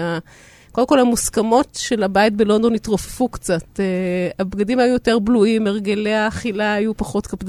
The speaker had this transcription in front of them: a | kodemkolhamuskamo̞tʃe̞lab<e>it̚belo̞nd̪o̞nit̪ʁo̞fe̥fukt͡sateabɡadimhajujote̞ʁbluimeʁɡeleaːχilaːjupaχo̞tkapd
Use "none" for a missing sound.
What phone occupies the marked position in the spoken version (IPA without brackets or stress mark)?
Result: a